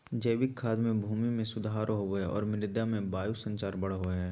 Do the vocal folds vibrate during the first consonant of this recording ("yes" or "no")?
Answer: yes